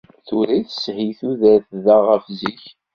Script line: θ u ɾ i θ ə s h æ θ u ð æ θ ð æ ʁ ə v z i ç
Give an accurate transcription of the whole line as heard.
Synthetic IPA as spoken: θ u ɾ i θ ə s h i θ u ð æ θ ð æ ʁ ə f z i ç